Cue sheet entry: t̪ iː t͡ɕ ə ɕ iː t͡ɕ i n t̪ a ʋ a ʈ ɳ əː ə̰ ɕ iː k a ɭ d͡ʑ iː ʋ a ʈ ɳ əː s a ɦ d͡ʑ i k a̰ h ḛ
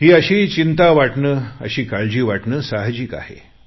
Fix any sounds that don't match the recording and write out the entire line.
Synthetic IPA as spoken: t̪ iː ə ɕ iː t͡ɕ i n t̪ a ʋ a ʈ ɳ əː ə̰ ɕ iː k a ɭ d͡ʑ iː ʋ a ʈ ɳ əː s a ɦ d͡ʑ i k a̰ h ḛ